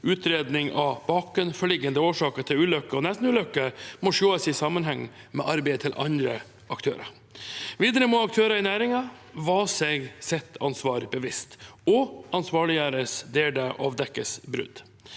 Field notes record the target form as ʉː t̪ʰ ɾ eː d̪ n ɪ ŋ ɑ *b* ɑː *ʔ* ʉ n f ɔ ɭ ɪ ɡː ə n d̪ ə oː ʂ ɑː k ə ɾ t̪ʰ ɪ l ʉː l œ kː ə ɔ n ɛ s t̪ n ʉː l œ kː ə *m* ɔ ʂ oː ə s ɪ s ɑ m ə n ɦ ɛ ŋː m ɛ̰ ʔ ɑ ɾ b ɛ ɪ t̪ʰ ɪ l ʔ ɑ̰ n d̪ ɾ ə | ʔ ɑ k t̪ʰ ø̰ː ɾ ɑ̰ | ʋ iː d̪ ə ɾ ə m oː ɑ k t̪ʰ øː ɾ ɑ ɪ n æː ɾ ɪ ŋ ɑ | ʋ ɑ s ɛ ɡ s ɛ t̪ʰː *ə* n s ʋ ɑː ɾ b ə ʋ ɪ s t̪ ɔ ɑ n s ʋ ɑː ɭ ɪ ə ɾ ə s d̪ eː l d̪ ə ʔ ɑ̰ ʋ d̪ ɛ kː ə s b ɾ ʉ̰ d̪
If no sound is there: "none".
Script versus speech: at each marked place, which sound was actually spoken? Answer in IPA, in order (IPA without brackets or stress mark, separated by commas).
b, k, m, ɑ